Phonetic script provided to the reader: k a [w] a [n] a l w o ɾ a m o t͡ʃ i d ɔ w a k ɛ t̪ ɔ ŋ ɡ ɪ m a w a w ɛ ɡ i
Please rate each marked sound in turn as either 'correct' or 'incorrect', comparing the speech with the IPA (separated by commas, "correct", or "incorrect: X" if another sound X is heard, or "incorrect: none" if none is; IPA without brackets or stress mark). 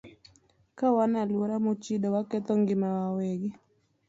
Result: correct, correct